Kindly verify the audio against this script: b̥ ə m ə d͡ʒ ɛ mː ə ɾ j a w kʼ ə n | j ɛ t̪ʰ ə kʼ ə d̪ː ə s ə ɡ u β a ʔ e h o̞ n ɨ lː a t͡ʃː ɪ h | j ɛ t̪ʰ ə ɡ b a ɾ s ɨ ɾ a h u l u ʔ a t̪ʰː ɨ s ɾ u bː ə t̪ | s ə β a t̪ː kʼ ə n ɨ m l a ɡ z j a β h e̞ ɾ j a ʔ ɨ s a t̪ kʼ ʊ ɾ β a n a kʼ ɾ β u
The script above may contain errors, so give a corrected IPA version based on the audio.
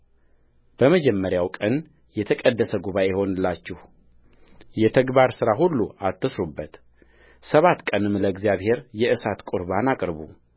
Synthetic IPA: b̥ ə m ə d͡ʒ ɛ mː ə ɾ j a w kʼ ə n | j ɛ t̪ʰ ə kʼ ə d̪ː ə s ə ɡ u β a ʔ e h o̞ n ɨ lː a t͡ʃː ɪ h | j ɛ t̪ʰ ə ɡ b a ɾ s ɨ ɾ a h u lː u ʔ a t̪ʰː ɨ s ɾ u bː ə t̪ | s ə β a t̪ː kʼ ə n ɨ m l ə ɡ z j a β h e̞ ɾ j ɛ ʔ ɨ s a t̪ kʼ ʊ ɾ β a n a kʼ ɾ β u

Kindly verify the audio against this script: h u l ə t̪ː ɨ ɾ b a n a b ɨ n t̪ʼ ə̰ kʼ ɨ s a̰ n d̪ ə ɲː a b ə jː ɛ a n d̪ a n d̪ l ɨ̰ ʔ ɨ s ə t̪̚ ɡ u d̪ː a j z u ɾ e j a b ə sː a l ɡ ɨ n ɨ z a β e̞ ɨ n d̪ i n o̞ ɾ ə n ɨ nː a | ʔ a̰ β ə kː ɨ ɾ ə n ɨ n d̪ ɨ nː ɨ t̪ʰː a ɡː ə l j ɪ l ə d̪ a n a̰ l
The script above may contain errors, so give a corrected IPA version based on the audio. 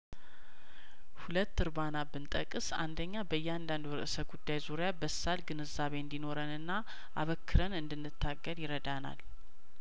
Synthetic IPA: h u l ə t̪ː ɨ ɾ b a n a b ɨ n t̪ʼ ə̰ kʼ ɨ s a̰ n d̪ ə ɲː a b ə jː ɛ a n d̪ a n d̪ ɾ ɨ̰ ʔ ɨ s ə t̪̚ ɡ u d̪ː a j z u ɾ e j a b ə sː a l ɡ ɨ n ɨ z a β e̞ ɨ n d̪ i n o̞ ɾ ə n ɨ nː a | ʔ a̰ β ə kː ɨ ɾ ə n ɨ n d̪ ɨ nː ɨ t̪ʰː a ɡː ə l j ɪ ɾ ə d̪ a n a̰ l

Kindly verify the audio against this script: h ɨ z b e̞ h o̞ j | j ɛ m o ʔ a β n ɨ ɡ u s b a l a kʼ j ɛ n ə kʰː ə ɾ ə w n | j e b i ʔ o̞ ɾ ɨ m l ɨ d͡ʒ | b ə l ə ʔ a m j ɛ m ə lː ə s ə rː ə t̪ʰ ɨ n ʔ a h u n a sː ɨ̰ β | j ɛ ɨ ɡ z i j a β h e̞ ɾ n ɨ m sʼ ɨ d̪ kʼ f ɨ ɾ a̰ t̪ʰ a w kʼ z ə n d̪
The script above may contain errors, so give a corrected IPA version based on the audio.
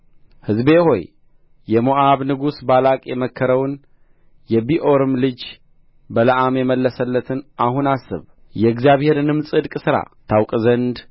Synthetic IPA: h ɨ z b e̞ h o̞ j | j ɛ m o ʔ a β n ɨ ɡ u s b a l a kʼ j ɛ m ə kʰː ə ɾ ə w n | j ɛ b i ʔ o̞ ɾ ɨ m l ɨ d͡ʒ | b ə l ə ʔ a m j ɛ m ə lː ə s ə lː ə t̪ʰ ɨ n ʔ a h u n a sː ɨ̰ β | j ɛ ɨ ɡ z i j a β h e̞ ɾ n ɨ m sʼ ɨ d̪ kʼ s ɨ ɾ a̰ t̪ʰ a w kʼ z ə n d̪

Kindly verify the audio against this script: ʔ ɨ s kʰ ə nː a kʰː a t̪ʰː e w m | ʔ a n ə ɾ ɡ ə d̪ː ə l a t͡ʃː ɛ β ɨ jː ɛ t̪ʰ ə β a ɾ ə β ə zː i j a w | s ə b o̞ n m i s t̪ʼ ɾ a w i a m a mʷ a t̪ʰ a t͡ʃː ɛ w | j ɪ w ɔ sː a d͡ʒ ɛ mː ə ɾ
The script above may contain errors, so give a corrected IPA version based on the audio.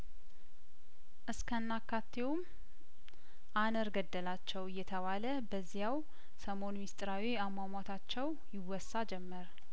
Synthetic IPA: ʔ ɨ s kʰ ə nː a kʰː a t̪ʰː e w m | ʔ a n ə ɾ ɡ ə d̪ː ə l a t͡ʃː ɛ w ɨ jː ɛ t̪ʰ ə β a l ə b ə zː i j a w | s ə m o̞ n m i s t̪ʼ ɾ a w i a m a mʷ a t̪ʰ a t͡ʃː ɛ w | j ɪ w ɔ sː a d͡ʒ ɛ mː ə ɾ

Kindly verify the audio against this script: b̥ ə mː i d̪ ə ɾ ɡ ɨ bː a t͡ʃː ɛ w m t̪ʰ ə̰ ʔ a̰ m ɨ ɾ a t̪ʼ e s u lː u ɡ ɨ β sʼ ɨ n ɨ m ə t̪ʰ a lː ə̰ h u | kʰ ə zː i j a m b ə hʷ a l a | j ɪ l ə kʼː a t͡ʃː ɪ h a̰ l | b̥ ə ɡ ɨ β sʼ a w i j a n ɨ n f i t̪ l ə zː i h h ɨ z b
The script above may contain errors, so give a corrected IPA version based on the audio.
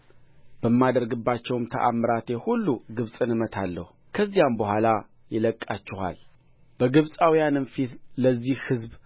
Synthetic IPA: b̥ ə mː a d̪ ə ɾ ɡ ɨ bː a t͡ʃː ɛ w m t̪ʰ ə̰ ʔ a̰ m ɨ ɾ a t̪ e h u lː u ɡ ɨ β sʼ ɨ n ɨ m ə t̪ʰ a lː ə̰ h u | kʰ ə zː i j a m b ə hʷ a l a | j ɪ l ə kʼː a t͡ʃː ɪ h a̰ l | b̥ ə ɡ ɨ β sʼ a w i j a n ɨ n f i t̪ l ə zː i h h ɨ z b

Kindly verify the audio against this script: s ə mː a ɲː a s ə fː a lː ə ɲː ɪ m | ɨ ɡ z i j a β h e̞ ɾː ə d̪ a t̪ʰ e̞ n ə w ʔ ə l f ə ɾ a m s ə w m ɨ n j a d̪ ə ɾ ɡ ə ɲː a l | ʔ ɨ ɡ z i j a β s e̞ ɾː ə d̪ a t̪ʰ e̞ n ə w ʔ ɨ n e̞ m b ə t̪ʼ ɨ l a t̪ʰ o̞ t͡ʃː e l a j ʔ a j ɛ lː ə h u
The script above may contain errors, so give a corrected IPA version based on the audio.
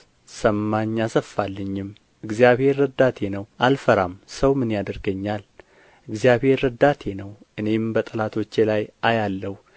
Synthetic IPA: s ə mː a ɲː a s ə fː a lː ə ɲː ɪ m | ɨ ɡ z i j a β h e̞ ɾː ə d̪ a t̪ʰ e̞ n ə w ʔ a l f ə ɾ a m s ə w m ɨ n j a d̪ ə ɾ ɡ ə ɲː a l | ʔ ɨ ɡ z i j a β h e̞ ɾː ə d̪ a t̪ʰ e̞ n ə w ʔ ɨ n e̞ m b ə t̪ʼ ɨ l a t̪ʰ o̞ t͡ʃː e l a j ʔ a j a lː ə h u

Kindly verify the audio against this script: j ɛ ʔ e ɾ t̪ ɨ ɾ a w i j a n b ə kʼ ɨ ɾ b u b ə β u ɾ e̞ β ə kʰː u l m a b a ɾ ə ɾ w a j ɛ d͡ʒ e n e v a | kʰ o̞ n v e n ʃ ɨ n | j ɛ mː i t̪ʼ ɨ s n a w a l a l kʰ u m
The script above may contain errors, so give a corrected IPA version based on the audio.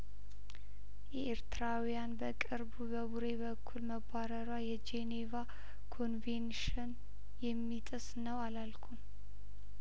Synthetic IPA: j ɛ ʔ e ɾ t̪ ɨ ɾ a w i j a n b ə kʼ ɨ ɾ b u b ə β u ɾ e̞ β ə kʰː u l m ə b a ɾ ə ɾ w a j ɛ d͡ʒ e n e v a | kʰ o̞ n v e n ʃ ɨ n | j ɛ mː i t̪ʼ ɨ s n ə w a l a l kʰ u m

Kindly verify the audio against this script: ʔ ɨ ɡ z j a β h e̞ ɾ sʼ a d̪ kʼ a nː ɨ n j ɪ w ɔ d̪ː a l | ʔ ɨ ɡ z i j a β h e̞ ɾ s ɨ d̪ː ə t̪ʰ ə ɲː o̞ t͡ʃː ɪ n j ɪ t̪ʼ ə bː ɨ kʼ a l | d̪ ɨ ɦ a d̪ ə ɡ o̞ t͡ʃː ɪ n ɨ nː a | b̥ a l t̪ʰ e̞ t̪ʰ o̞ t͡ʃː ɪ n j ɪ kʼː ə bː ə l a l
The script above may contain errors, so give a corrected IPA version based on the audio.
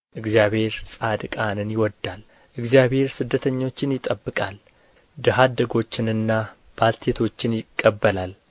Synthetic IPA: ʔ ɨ ɡ z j a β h e̞ ɾ sʼ a d̪ kʼ a n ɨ n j ɪ w ɔ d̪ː a l | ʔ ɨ ɡ z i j a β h e̞ ɾ s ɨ d̪ː ə t̪ʰ ə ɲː o̞ t͡ʃː ɪ n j ɪ t̪ʼ ə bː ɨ kʼ a l | d̪ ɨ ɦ a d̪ ə ɡ o̞ t͡ʃː ɪ n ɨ nː a | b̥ a l t̪ʰ e̞ t̪ʰ o̞ t͡ʃː ɪ n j ɪ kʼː ə bː ə l a l

